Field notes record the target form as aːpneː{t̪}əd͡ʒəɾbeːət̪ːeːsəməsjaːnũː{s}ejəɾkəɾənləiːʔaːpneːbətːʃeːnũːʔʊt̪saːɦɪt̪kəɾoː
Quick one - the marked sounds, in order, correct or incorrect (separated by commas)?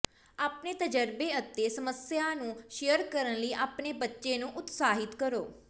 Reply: correct, incorrect